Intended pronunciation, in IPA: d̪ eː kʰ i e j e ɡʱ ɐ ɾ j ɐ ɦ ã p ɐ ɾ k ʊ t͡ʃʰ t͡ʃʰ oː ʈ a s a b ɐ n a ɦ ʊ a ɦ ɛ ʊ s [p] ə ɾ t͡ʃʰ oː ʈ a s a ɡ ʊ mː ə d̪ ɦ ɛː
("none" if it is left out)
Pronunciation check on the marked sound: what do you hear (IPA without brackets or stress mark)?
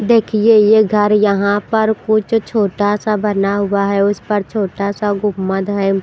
p